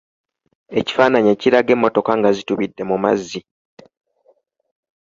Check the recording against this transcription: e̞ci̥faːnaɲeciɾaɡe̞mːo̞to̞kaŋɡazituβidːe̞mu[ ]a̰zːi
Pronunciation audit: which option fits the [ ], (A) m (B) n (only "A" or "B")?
A